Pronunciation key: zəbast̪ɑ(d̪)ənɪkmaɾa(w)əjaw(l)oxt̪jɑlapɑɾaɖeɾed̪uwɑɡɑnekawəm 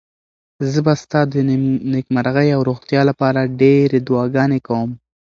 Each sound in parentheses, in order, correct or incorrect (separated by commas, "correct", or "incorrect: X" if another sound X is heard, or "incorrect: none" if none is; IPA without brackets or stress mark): correct, incorrect: ɣ, incorrect: ɾ